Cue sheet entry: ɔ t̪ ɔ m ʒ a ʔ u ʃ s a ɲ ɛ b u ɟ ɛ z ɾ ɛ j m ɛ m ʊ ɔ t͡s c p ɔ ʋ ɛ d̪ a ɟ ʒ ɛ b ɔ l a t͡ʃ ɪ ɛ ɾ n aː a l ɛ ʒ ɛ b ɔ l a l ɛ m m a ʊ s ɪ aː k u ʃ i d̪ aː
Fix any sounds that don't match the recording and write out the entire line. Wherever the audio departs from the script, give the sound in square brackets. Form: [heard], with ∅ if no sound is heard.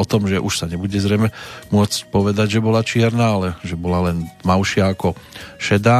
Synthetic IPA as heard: ɔ t̪ ɔ m ʒ [ɛ] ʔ u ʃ s a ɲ ɛ b u ɟ ɛ z ɾ ɛ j m ɛ m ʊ ɔ t͡s c p ɔ ʋ ɛ d̪ a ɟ ʒ ɛ b ɔ l a t͡ʃ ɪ ɛ ɾ n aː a l ɛ ʒ ɛ b ɔ l a l ɛ [n] m a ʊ [ʃ] ɪ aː k [ɔ] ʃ [ɛ] d̪ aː